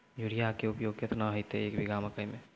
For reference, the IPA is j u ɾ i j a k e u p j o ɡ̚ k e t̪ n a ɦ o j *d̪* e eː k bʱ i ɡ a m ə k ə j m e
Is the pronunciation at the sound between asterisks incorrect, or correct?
incorrect